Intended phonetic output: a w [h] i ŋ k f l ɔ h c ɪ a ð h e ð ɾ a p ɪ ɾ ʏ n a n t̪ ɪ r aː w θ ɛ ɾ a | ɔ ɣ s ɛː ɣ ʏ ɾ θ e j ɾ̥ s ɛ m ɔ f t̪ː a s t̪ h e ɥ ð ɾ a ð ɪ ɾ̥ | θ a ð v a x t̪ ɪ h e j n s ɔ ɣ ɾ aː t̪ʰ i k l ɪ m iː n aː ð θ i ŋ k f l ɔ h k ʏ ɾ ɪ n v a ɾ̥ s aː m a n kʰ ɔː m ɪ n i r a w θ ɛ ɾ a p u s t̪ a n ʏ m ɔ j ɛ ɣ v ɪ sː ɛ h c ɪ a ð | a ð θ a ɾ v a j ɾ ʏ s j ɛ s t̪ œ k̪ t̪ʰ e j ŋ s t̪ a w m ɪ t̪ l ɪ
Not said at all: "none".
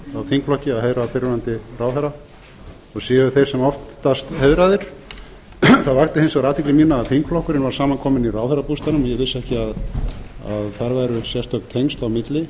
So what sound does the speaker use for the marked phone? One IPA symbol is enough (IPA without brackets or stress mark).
θ